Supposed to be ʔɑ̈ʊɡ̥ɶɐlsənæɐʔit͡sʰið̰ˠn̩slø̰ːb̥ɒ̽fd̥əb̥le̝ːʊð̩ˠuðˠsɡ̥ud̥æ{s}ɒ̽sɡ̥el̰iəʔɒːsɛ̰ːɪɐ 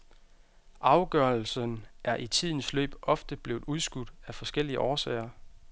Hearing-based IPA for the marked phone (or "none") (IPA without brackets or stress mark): f